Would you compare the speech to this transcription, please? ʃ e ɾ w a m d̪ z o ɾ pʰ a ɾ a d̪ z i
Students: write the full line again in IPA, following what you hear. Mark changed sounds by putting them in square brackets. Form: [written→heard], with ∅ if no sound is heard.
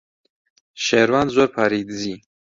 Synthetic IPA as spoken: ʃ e ɾ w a [m→n] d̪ z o ɾ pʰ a ɾ [a→i] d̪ z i